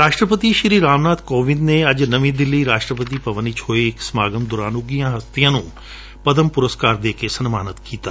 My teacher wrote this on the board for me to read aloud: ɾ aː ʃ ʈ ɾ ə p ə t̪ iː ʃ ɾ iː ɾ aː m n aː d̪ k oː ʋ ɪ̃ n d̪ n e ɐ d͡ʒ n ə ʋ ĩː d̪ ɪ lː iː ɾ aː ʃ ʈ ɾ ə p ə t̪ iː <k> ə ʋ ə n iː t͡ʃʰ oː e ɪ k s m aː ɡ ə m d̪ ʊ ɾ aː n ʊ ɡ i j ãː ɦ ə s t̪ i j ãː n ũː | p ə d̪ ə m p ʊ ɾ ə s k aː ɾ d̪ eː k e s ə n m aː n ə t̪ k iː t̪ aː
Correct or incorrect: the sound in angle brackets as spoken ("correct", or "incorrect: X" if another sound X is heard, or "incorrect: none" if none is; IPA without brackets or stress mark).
incorrect: p